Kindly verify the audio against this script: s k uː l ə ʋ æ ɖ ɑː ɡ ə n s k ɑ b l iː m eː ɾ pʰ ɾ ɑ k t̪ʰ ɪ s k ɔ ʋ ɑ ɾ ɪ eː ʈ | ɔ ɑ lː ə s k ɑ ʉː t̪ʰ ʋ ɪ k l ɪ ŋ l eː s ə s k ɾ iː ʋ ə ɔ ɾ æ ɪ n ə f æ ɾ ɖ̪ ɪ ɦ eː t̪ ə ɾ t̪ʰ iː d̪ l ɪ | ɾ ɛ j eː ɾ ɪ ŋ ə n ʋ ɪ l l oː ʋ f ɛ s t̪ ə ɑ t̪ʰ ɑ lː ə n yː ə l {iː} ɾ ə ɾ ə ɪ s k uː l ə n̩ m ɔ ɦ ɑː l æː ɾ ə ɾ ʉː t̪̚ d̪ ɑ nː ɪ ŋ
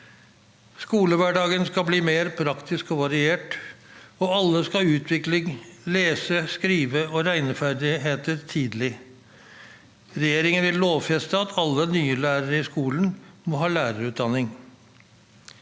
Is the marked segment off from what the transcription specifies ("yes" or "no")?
yes